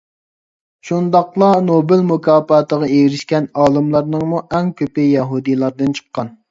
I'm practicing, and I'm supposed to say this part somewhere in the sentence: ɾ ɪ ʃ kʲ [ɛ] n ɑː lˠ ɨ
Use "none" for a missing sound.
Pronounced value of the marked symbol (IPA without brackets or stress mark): ɛ